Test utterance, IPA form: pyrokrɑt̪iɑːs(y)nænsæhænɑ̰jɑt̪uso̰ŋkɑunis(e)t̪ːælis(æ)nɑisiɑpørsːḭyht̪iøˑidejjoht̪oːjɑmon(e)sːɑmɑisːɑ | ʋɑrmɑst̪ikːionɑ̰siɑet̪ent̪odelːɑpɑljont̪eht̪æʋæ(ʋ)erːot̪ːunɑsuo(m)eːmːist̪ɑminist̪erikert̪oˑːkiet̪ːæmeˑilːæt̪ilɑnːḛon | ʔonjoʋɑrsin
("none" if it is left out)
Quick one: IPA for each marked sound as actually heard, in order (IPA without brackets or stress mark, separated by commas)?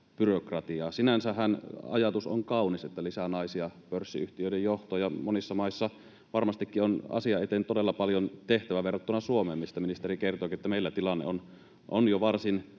i, e, æ, i, ʋ, m